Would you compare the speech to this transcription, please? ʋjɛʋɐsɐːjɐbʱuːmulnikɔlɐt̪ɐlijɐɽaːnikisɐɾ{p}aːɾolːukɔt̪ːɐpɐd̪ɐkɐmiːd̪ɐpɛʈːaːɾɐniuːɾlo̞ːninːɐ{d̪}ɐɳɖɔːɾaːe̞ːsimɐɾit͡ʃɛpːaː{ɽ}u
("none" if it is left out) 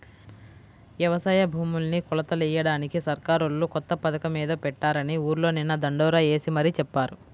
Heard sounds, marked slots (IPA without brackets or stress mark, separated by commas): k, d̪, ɾ